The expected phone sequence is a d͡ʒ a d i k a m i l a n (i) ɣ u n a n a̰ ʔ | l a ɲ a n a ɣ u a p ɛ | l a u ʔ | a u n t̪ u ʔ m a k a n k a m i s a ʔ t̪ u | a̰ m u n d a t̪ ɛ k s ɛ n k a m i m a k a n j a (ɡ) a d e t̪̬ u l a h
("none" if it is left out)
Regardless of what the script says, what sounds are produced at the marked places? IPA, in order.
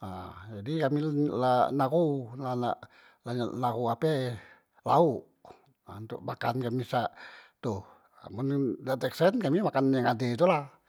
a, ŋ

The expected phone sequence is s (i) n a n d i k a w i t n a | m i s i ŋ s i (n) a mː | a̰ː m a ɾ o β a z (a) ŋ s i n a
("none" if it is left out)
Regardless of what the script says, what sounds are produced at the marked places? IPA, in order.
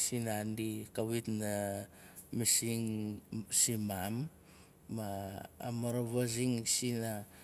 i, m, i

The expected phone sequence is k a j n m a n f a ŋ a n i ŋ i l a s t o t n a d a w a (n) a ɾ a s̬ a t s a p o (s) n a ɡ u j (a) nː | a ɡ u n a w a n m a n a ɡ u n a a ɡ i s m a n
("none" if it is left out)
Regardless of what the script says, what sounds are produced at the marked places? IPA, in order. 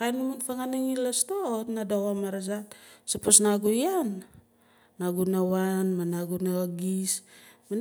m, s, a

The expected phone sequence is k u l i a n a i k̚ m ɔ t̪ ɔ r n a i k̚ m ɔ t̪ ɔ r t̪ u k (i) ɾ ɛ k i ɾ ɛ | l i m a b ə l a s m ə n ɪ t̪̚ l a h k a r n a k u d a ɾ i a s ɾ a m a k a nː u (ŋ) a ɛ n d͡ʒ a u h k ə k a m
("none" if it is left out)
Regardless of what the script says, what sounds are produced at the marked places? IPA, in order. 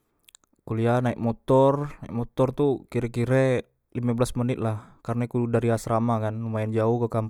i, m

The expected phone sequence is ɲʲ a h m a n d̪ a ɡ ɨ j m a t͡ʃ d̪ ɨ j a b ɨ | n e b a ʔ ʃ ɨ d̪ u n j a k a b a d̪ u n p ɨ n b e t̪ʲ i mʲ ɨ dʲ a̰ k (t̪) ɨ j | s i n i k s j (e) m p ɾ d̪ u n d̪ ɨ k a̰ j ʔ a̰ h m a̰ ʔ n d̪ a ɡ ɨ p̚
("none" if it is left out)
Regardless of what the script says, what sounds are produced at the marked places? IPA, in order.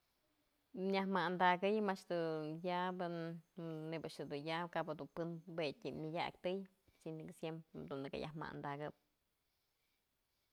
t̪, e

